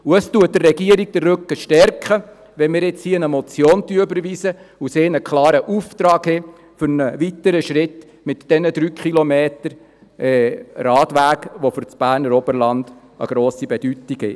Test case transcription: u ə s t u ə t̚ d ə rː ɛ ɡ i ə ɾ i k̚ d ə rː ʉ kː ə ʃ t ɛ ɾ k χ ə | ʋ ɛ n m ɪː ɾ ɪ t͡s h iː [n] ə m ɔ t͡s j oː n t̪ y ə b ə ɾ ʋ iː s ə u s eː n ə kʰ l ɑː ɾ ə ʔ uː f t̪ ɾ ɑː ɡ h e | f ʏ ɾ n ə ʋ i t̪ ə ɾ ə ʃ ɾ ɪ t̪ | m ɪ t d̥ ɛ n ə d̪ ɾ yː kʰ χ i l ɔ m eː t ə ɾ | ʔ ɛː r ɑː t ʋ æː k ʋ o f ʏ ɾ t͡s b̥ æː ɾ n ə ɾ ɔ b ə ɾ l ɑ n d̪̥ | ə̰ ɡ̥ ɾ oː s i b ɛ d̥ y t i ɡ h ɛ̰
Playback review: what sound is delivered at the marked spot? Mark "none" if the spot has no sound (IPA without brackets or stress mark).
n